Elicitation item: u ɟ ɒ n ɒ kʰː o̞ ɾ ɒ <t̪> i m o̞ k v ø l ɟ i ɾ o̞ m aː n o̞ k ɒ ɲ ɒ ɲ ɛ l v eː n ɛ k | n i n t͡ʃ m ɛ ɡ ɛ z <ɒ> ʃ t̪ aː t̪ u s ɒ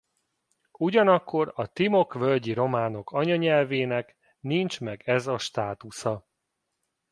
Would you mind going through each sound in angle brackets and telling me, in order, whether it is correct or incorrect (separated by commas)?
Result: correct, correct